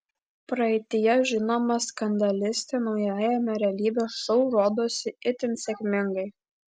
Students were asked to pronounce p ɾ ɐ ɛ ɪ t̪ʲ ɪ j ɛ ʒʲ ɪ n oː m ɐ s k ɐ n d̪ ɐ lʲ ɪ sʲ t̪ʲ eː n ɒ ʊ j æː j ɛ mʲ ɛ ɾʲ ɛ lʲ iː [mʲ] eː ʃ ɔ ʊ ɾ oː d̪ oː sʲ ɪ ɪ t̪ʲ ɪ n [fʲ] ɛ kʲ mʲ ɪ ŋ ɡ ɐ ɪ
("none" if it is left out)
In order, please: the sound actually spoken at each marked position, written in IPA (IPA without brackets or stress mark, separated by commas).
bʲ, sʲ